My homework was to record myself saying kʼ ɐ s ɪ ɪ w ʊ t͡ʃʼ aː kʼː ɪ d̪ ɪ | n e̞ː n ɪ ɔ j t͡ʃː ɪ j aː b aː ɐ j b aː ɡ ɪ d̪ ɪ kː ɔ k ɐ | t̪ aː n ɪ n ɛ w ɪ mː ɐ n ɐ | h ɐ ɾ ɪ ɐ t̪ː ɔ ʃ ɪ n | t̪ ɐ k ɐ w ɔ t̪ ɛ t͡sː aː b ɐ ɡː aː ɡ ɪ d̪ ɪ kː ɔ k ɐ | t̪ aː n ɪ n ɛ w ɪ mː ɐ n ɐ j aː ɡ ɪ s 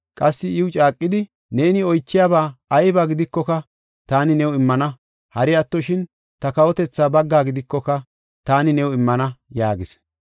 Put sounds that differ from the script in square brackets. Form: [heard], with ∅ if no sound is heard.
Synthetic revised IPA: kʼ ɐ [sː] ɪ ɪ w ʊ t͡ʃʼ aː kʼː ɪ d̪ ɪ | n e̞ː n ɪ ɔ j t͡ʃː ɪ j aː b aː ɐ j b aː ɡ ɪ d̪ ɪ kː ɔ k ɐ | t̪ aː n ɪ n ɛ w ɪ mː ɐ n ɐ | h ɐ ɾ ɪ ɐ t̪ː ɔ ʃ ɪ n | t̪ ɐ k ɐ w ɔ t̪ ɛ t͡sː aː b ɐ ɡː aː ɡ ɪ d̪ ɪ kː ɔ k ɐ | t̪ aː n ɪ n ɛ w ɪ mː ɐ n ɐ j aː ɡ ɪ s